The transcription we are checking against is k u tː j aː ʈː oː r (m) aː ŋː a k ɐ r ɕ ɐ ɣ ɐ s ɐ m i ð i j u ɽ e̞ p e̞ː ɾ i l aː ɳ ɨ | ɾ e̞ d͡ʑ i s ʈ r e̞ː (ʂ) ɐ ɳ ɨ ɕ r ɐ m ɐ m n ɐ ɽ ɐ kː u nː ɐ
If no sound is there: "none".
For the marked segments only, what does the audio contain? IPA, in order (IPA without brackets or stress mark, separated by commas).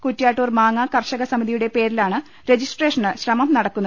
m, ʂ